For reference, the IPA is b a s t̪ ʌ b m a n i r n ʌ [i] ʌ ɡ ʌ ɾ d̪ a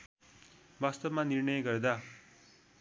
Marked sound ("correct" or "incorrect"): incorrect